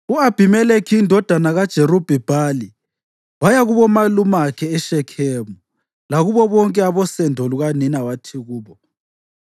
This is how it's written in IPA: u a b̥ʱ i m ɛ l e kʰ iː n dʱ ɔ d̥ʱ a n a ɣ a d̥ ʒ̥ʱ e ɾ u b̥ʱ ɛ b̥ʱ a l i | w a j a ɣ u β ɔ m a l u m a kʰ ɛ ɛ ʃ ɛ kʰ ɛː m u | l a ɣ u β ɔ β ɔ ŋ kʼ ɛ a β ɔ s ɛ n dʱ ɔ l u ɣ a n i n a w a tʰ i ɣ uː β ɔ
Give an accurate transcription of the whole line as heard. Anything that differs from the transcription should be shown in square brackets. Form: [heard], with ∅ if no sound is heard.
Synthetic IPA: u a b̥ʱ i m ɛ l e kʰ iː n dʱ ɔ d̥ʱ a n a ɣ a d̥ ʒ̥ʱ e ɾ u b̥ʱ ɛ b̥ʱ a l i | w a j a ɣ u β ɔ m a l u m a kʰ ɛ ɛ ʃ ɛ kʰ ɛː m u | l a ɣ u β ɔ β ɔ ŋ kʼ ɛ a β ɔ s ɛ n dʱ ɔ l u ɣ a n i n a w a tʰ i ɣ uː β ɔ